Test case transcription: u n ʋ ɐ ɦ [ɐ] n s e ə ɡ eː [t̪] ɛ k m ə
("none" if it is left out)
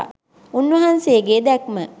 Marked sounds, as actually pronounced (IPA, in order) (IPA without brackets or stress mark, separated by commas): a, d̪